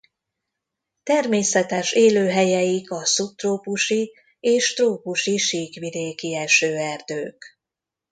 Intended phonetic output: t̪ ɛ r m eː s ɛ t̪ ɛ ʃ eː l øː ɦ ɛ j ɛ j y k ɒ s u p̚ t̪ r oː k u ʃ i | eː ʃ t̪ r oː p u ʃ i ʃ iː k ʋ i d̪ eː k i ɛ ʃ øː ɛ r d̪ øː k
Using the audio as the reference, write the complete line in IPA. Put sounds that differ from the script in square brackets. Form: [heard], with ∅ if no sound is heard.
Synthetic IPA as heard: t̪ ɛ r m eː s ɛ t̪ ɛ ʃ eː l øː ɦ ɛ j ɛ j [i] k ɒ s u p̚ t̪ r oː [p] u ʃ i | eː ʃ t̪ r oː p u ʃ i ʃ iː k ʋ i d̪ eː k i ɛ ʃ øː ɛ r d̪ øː k